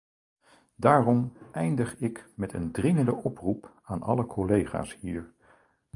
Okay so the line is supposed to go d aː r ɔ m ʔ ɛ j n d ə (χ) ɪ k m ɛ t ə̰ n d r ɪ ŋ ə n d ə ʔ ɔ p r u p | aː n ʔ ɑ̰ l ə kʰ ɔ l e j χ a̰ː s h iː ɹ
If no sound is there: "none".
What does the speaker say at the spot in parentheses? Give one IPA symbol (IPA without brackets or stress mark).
χ